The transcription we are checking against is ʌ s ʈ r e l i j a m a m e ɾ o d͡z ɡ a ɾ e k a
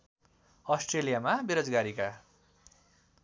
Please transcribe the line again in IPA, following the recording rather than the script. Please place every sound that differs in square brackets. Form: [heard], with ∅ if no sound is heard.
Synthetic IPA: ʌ s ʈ r e l i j a m a [b] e ɾ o d͡z ɡ a ɾ [i] k a